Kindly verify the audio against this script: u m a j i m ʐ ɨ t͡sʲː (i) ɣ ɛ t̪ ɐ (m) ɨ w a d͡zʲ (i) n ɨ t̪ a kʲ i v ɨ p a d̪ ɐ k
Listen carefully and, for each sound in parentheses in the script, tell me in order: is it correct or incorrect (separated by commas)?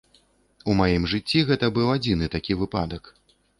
correct, incorrect, correct